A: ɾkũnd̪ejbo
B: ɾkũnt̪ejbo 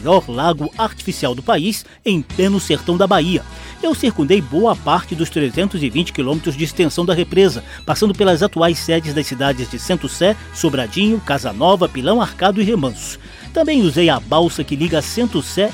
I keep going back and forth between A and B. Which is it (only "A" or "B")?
A